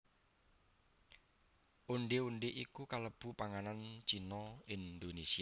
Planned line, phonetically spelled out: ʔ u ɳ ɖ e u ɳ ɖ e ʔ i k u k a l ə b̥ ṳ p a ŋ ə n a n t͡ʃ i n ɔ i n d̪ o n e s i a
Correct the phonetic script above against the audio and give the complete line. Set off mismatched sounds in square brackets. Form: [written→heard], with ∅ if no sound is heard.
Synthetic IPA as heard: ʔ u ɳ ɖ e u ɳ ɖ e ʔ i k u k a l ə b̥ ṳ p a ŋ [ə→a] n a n t͡ʃ i n ɔ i n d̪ o n e s i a

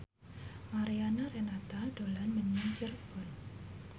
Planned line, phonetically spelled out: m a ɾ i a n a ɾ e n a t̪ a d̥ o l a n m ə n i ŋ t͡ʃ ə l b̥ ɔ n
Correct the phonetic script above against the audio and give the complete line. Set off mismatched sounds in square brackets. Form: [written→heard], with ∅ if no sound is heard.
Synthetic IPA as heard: m a ɾ i a n a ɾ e n a t̪ a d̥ o l a n m ə [n→ɲ] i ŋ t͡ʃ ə [l→r] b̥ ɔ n

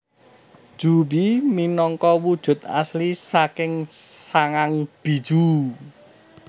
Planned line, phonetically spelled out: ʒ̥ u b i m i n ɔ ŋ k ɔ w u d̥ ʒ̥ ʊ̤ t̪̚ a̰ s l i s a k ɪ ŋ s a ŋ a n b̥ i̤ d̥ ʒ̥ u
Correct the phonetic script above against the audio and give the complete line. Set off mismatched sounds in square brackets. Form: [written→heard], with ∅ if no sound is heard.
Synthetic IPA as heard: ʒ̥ u b i m i n ɔ ŋ k ɔ w u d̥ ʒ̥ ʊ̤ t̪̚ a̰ s l i s a k ɪ ŋ s a ŋ a [n→ŋ] b̥ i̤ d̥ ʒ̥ u

